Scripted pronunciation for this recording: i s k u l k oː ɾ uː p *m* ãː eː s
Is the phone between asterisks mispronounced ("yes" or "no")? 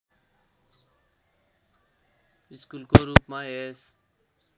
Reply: no